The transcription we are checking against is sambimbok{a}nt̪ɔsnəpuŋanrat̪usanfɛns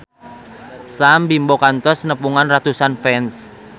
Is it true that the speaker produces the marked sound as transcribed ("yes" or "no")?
yes